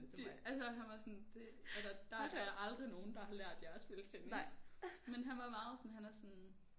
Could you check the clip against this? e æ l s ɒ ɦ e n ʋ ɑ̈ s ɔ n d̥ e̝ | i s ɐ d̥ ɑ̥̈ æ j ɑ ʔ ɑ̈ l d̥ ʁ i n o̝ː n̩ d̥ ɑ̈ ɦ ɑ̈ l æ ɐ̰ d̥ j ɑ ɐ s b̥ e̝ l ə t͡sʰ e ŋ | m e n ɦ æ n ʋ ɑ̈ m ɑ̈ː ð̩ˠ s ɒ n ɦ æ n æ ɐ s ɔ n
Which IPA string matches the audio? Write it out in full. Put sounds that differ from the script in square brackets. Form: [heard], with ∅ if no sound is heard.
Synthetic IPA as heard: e æ l s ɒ ɦ [æ] n ʋ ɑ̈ s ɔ n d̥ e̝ | [æ] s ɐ d̥ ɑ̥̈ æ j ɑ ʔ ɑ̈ l d̥ ʁ i n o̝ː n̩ d̥ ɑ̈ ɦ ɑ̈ l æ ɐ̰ d̥ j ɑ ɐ s b̥ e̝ l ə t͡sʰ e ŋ | m e n ɦ æ n ʋ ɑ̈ m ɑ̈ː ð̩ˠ s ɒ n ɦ æ n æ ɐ s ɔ n